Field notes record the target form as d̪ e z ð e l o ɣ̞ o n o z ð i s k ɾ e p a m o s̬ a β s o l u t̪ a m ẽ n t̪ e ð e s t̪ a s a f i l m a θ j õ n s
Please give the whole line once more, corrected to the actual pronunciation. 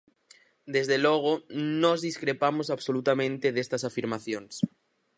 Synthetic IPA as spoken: d̪ e z ð e l o ɣ̞ o n o z ð i s k ɾ e p a m o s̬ a β s o l u t̪ a m ẽ n t̪ e ð e s t̪ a s a f i ɾ m a θ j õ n s